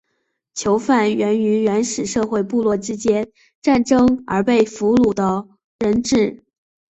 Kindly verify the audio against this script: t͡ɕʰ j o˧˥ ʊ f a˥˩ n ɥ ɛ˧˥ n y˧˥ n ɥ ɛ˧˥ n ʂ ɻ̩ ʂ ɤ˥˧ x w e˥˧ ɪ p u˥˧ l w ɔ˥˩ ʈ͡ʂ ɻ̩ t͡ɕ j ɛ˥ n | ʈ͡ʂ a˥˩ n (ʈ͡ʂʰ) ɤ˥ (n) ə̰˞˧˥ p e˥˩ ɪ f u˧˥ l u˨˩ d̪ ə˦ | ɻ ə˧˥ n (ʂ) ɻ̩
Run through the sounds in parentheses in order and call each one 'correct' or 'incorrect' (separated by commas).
incorrect, incorrect, incorrect